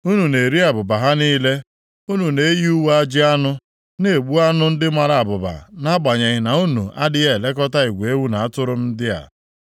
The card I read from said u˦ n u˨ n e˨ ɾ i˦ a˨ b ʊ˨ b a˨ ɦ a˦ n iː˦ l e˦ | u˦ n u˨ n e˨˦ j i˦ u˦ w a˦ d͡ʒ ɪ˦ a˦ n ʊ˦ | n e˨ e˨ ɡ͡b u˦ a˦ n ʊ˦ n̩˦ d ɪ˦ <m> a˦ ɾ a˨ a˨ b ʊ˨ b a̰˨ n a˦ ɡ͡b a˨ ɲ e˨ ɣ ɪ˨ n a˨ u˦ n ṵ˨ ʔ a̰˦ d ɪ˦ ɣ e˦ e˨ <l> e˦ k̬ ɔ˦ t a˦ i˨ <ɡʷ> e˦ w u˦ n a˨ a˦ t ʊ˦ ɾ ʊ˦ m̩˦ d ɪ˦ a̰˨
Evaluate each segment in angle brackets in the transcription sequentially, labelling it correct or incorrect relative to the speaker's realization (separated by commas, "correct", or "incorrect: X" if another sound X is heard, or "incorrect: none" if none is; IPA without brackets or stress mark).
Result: correct, correct, correct